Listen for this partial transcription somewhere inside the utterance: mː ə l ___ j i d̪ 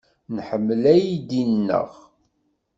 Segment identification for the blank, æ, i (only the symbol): æ